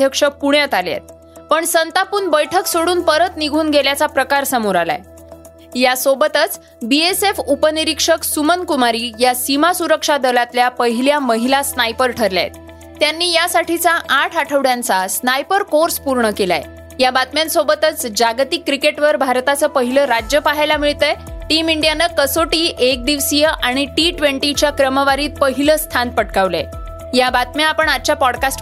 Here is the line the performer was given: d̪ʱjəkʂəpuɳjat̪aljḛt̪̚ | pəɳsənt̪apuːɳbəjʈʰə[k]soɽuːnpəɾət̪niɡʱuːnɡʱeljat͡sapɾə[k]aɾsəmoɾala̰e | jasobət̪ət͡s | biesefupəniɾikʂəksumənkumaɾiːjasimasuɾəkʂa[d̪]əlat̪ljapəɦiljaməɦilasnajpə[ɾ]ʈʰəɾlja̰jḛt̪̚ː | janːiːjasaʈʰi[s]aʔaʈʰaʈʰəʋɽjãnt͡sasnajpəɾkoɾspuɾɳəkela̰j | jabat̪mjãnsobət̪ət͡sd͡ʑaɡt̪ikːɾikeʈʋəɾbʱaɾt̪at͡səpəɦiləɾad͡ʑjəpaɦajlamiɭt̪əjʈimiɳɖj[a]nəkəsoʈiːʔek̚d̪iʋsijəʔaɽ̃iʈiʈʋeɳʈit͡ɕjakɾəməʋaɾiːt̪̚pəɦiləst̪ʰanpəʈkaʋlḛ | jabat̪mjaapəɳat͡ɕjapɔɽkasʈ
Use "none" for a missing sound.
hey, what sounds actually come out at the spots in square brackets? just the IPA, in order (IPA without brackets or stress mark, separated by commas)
k, k, d̪, ɾ, t͡s, a